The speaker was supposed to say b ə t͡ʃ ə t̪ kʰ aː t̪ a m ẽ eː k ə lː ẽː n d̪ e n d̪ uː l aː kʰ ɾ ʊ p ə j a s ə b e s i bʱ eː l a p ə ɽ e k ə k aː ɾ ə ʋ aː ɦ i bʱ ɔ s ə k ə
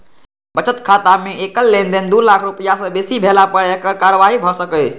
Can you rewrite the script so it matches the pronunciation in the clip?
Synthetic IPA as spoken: b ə t͡ʃ ə t̪ kʰ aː t̪ a m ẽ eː k ə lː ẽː n d̪ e n d̪ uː l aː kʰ ɾ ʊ p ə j a s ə b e s i bʱ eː l a p ə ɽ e k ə k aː ɾ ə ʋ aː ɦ i bʱ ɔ s ə k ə